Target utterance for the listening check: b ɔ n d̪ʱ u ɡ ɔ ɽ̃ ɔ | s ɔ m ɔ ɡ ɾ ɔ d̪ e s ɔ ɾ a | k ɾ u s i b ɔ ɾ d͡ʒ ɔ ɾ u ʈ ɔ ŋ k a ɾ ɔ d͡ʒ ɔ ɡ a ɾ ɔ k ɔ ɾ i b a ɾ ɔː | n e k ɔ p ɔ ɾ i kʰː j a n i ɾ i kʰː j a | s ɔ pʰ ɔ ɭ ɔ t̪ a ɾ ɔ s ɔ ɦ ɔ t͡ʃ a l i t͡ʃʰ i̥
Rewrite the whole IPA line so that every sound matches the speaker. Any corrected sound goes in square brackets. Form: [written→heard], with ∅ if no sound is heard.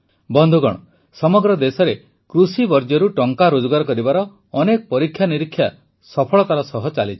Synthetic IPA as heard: b ɔ n d̪ʱ u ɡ ɔ ɽ̃ ɔ | s ɔ m ɔ ɡ ɾ ɔ d̪ e s ɔ ɾ [a→e] | k ɾ u s i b ɔ ɾ d͡ʒ ɔ ɾ u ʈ ɔ ŋ k a ɾ [ɔ→o] d͡ʒ ɔ ɡ a ɾ ɔ k ɔ ɾ i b a ɾ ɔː | n e k ɔ p ɔ ɾ i kʰː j a n i ɾ i kʰː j a | s ɔ pʰ ɔ ɭ ɔ t̪ a ɾ ɔ s ɔ ɦ ɔ t͡ʃ a l i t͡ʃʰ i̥